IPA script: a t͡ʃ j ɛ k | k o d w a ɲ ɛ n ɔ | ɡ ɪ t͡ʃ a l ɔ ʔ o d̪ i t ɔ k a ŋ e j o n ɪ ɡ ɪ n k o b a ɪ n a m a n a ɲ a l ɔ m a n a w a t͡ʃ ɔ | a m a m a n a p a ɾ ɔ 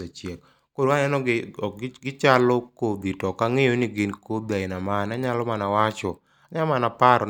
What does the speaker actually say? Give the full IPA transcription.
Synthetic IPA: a t͡ʃ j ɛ k | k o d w a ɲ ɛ n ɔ | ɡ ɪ t͡ʃ a l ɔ k o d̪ i t ɔ k a ŋ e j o n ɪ ɡ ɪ n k o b a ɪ n a m a n a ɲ a l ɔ m a n a w a t͡ʃ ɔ | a ɲ a m a n a p a ɾ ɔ